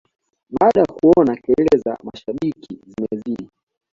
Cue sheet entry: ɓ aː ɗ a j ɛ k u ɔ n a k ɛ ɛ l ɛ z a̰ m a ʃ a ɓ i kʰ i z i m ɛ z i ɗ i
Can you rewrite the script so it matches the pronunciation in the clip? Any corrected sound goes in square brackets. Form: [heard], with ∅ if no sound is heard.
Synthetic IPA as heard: ɓ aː ɗ a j [a] k u ɔ n a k ɛ ɛ l ɛ z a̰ m a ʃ a ɓ i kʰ i z i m ɛ z i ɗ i